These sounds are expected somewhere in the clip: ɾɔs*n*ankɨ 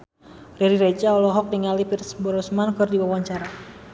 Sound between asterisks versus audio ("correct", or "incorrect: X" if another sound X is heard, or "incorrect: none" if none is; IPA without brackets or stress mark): incorrect: m